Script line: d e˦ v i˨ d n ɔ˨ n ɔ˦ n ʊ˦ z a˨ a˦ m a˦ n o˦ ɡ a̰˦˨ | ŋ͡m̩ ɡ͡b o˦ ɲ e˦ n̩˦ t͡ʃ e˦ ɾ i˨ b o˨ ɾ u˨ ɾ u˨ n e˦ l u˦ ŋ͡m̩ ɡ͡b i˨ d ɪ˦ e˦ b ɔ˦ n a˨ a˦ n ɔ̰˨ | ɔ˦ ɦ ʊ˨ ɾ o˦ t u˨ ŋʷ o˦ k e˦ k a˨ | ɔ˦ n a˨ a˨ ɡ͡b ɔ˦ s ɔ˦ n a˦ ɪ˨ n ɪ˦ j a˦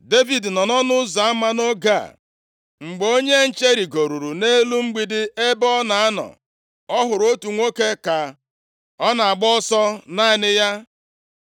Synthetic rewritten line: d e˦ v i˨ d n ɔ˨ n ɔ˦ n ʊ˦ z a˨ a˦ m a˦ n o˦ ɡ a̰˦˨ | ŋ͡m̩ ɡ͡b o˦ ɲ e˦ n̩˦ t͡ʃ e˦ ɾ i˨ ɡ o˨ ɾ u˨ ɾ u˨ n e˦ l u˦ ŋ͡m̩ ɡ͡b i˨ d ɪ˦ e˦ b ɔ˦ n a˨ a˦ n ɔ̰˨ | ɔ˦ ɦ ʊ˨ ɾ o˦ t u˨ ŋʷ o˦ k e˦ k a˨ | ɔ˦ n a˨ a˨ ɡ͡b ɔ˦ s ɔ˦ n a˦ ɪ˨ n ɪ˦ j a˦